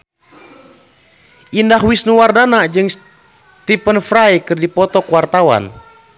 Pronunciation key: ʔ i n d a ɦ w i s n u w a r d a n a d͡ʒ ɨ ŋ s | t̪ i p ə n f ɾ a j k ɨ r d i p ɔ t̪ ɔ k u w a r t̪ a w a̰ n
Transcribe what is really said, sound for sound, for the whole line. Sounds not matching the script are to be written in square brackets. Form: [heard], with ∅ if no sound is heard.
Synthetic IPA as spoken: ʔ i n d a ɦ w i s n u w a r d a n a d͡ʒ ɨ ŋ s | t̪ i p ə n f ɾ a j k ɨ r d i p ɔ t̪ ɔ k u w a r t̪ a w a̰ n